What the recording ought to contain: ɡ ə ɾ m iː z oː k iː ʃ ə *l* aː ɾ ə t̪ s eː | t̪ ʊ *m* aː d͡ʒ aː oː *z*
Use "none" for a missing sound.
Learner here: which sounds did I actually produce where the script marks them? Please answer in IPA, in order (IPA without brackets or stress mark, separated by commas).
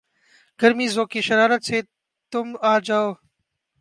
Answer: ɾ, m, none